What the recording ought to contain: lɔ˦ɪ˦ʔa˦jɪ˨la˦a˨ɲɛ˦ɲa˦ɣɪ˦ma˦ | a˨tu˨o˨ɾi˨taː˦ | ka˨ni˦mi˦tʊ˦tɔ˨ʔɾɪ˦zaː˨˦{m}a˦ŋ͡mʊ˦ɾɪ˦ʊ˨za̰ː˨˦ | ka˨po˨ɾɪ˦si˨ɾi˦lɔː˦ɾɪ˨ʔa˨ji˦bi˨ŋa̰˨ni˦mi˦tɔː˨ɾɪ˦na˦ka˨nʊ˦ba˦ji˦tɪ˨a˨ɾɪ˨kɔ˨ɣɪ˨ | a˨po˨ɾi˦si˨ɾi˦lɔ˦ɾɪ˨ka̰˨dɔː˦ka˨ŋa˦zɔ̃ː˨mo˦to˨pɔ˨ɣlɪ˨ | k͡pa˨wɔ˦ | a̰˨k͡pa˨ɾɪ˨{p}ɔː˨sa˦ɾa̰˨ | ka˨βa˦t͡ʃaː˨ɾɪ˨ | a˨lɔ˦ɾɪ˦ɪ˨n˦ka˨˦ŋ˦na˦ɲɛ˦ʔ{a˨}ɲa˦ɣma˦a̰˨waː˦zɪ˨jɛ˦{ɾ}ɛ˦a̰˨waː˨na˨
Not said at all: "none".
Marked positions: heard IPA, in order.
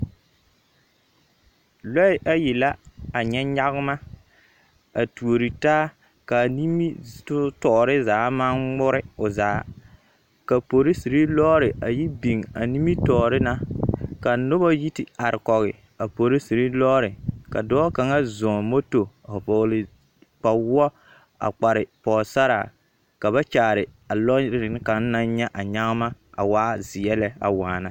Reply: m, p, a˨, l

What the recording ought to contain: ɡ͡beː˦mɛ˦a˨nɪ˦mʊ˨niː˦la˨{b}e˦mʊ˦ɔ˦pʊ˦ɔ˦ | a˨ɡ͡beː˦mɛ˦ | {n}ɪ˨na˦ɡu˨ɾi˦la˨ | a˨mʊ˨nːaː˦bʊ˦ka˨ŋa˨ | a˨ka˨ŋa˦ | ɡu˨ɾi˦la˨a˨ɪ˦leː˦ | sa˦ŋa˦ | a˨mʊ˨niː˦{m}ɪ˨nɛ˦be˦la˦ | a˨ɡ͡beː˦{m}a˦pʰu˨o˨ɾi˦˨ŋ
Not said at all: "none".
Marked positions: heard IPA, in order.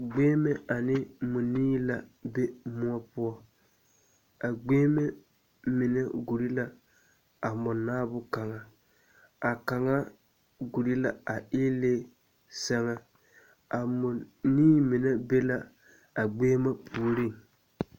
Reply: b, m, m, m

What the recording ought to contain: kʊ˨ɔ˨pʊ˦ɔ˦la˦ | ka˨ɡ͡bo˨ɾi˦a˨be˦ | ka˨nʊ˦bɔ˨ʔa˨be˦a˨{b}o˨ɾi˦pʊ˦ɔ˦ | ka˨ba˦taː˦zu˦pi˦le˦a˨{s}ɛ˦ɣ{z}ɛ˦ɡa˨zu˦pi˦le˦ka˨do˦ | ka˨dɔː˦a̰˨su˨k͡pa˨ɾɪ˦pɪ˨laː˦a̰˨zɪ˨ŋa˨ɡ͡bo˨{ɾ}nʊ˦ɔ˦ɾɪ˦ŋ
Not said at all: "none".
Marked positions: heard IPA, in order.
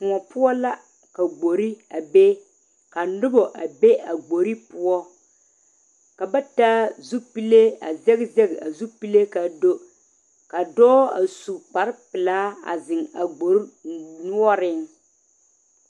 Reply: ɡ͡b, z, z, ɾ

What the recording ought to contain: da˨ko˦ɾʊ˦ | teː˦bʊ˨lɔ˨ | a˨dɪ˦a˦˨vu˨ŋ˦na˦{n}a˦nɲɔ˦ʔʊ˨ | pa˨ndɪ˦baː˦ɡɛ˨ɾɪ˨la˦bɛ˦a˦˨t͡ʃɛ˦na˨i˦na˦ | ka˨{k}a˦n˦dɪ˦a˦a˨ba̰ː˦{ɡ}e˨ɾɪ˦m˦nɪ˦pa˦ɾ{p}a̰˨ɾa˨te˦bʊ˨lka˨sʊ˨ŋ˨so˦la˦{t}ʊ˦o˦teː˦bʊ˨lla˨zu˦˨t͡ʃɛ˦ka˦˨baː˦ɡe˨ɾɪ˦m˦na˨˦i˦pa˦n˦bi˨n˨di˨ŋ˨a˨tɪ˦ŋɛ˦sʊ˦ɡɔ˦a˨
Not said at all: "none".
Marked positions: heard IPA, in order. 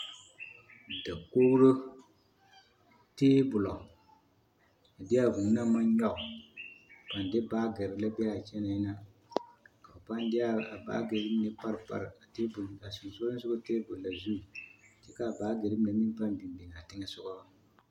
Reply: m, p, ɡ, p, s

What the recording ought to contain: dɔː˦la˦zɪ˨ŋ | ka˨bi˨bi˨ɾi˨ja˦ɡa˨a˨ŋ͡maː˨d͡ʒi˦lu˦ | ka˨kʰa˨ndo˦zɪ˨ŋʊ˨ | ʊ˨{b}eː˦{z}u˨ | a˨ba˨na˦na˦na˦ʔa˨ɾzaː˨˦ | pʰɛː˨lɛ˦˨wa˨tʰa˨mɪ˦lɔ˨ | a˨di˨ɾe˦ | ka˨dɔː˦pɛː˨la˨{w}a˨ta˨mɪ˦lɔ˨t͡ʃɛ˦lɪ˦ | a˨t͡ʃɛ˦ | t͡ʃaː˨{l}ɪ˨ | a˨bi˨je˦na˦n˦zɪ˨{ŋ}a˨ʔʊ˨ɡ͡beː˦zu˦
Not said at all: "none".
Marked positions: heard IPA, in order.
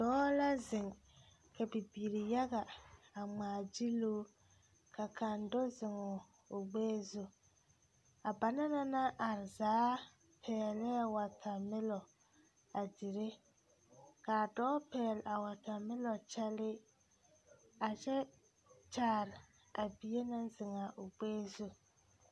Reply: ɡ͡b, z, w, ɾ, ŋ

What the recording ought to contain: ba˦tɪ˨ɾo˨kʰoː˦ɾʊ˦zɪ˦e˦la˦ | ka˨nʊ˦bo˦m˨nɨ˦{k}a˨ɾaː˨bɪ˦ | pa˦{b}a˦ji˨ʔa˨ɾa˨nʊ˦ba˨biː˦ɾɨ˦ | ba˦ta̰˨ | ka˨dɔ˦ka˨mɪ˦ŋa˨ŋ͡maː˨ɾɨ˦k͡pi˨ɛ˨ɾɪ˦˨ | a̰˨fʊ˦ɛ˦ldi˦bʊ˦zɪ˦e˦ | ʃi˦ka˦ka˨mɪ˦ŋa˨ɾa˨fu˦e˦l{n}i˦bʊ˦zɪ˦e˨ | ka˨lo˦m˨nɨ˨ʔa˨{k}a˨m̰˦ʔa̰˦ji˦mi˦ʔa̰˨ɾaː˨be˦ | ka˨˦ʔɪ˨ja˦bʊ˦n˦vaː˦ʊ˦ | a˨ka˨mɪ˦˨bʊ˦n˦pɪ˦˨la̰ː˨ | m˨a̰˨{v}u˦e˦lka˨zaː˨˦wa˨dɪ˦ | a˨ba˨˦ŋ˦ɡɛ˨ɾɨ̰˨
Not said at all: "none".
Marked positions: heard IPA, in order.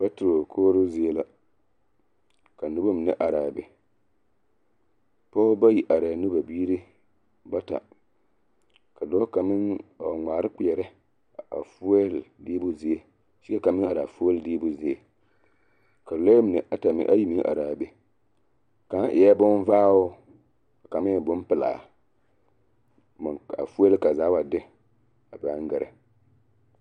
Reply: ʔ, b, d, t, f

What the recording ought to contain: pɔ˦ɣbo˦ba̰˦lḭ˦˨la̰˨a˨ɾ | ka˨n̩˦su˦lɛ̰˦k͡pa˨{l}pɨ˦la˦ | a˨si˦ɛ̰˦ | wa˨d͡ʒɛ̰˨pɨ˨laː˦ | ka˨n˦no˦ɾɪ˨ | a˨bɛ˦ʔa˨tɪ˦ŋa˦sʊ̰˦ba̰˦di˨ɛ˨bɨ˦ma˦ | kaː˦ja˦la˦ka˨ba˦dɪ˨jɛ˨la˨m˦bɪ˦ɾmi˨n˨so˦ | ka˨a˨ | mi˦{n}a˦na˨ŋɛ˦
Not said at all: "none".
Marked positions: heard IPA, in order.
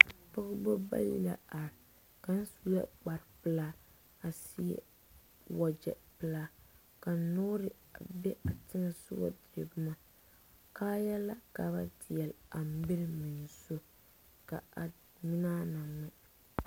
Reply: ɾ, n

